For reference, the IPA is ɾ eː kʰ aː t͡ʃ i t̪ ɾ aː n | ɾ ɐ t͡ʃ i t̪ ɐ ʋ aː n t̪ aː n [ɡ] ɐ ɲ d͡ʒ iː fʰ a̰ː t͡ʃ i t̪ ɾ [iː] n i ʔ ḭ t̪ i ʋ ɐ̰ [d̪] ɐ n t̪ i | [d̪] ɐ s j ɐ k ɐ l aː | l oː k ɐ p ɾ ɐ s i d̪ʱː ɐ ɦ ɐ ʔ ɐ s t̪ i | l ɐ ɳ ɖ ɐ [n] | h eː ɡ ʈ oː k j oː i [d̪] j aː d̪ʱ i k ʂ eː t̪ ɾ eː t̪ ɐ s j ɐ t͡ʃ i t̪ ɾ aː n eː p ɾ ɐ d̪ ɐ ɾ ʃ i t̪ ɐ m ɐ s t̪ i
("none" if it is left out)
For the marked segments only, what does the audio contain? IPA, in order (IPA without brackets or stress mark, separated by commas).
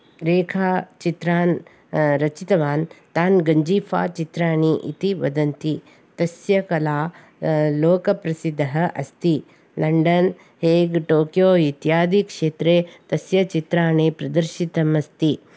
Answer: ɡ, aː, d̪, t̪, n, t̪